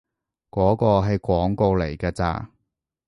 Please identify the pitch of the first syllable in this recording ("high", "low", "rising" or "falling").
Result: rising